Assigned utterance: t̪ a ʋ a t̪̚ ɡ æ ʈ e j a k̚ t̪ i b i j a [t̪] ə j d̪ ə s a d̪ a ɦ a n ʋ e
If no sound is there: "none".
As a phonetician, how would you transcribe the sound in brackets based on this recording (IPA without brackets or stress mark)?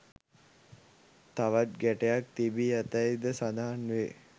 t̪